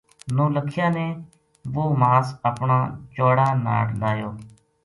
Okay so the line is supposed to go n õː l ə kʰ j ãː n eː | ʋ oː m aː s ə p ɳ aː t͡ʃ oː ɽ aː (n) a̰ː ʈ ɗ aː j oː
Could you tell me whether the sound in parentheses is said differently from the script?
no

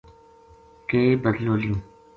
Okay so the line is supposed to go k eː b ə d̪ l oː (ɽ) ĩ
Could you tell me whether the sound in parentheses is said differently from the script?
yes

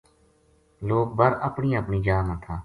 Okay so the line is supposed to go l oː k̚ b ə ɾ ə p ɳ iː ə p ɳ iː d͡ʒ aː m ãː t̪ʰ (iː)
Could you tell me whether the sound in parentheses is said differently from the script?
yes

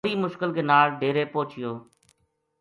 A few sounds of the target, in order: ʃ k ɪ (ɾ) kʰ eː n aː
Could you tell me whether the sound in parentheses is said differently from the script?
yes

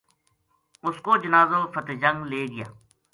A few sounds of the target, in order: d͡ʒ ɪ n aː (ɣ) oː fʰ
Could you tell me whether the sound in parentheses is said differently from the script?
yes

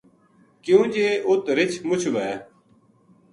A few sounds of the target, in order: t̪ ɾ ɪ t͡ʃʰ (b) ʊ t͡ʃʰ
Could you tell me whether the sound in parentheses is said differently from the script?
yes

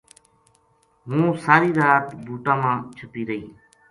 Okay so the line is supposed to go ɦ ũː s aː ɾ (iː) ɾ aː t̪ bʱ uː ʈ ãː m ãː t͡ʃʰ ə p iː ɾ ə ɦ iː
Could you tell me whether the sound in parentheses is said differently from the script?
no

